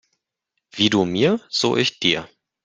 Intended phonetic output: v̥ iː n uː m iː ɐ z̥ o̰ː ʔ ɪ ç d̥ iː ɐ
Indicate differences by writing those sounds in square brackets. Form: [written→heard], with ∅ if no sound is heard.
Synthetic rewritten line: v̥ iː [n→d] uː m iː ɐ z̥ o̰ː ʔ ɪ ç d̥ iː ɐ